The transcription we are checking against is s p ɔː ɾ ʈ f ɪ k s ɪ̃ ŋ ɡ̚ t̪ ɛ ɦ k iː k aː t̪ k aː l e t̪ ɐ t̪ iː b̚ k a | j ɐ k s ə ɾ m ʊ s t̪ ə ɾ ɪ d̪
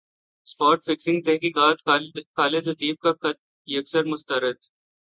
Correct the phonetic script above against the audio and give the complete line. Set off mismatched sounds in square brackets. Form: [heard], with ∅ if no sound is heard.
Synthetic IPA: s p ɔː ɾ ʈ f ɪ k s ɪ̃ ŋ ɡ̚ t̪ ɛ ɦ k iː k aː t̪ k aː l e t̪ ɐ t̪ iː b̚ k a | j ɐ k s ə ɾ m ʊ s t̪ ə ɾ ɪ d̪